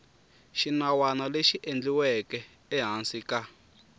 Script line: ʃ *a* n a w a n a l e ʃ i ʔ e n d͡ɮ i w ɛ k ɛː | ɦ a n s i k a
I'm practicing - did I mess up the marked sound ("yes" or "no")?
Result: yes